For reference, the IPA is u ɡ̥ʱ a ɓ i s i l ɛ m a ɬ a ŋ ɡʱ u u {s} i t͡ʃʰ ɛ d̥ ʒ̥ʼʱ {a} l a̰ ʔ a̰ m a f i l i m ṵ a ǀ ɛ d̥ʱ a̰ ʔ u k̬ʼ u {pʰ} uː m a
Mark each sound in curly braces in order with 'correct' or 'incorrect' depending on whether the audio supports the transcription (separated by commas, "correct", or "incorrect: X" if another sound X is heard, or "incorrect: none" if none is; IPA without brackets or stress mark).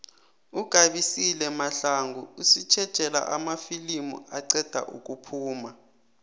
correct, incorrect: ɛ, correct